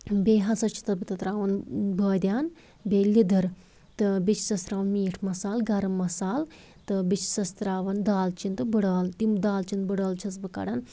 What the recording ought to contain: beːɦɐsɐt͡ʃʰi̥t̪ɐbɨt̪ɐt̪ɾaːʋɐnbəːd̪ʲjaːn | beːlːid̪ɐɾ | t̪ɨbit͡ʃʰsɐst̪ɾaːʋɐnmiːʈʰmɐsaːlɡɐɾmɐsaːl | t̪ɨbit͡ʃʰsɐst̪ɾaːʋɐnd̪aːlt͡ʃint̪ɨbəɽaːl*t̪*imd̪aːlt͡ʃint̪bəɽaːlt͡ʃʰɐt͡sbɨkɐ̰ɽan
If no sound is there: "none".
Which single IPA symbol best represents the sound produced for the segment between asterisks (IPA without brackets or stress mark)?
t̪